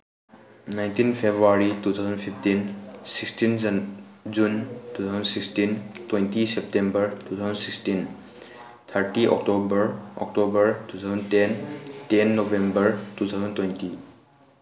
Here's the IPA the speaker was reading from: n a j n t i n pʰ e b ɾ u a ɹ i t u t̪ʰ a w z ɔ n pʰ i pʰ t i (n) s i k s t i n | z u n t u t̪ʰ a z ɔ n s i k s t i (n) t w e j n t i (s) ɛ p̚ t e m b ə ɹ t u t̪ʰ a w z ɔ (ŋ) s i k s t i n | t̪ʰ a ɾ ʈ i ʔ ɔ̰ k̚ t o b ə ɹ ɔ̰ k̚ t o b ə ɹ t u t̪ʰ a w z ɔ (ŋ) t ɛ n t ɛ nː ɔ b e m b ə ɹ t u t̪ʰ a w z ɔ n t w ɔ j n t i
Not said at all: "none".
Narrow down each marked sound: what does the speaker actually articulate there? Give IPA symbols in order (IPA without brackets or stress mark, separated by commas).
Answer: n, n, s, n, n